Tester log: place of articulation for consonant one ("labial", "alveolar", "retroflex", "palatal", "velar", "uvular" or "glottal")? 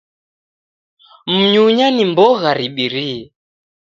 labial